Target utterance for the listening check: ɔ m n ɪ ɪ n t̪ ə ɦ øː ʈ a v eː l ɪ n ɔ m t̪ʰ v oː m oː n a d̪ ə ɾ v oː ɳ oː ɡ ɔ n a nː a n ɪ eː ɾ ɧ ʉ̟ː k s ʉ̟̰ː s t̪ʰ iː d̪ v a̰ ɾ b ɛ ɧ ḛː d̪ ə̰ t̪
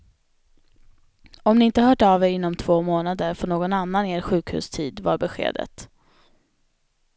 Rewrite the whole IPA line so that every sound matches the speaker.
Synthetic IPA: ɔ m n ɪ ɪ n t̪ ə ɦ œː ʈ a v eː ɾ ɪ nː ɔ m t̪ʰ v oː m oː n a d̪ ə ɾ f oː ɳ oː ɡ ɔ n a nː a n ɪ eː ɾ ɧ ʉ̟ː k h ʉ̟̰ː s t̪ʰ iː d̪ v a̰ ɾ b ɛ ɧ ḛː d̪ ə̰ t̪